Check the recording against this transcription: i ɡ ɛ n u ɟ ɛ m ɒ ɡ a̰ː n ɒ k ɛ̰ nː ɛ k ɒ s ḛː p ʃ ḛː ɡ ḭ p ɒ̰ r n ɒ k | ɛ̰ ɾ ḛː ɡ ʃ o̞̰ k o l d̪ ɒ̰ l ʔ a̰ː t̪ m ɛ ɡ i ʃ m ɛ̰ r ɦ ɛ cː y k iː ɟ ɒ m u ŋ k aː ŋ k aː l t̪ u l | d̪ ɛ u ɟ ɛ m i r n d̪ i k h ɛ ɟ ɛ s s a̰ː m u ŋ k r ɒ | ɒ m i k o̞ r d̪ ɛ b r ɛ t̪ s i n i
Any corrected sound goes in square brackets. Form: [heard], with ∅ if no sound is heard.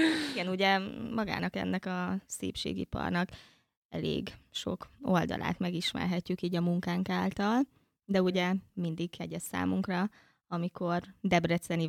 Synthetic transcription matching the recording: i ɡ ɛ n u ɟ ɛ m ɒ ɡ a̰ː n ɒ k ɛ̰ nː ɛ k ɒ s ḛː p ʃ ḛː ɡ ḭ p ɒ̰ r n ɒ k | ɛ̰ [l] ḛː ɡ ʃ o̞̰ k o l d̪ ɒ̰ l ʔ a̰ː t̪ m ɛ ɡ i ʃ m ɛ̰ r ɦ ɛ cː y k iː ɟ ɒ m u ŋ k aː ŋ k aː l t̪ [ɒ] l | d̪ ɛ u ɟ ɛ m i [∅] n d̪ i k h ɛ ɟ ɛ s s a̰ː m u ŋ k r ɒ | ɒ m i k o̞ r d̪ ɛ b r ɛ t̪ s [ɛ] n i